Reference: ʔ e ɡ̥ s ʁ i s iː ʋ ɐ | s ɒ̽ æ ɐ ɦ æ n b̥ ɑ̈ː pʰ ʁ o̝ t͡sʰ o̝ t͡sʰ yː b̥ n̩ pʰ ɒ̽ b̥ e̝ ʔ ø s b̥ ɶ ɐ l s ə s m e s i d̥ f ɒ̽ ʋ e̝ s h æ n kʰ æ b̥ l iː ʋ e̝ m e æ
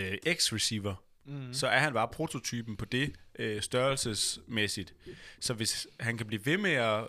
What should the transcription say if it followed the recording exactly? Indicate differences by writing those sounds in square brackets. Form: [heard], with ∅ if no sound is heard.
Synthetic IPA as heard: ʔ e ɡ̥ s ʁ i s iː ʋ ɐ | s ɒ̽ æ ɐ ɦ æ n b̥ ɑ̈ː pʰ ʁ o̝ t͡sʰ o̝ t͡sʰ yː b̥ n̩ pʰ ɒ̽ [d̥] e̝ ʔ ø s [d̥] ɶ ɐ l s ə s m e s i d̥ [s] ɒ̽ ʋ e̝ s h æ n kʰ æ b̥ l iː ʋ e̝ m e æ